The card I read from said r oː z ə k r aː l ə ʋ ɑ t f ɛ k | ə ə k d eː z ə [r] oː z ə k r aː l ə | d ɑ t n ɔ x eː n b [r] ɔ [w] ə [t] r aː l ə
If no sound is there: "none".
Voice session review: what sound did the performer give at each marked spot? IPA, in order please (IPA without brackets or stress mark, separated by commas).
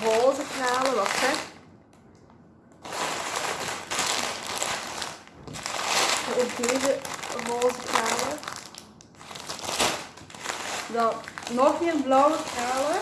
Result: r, l, w, k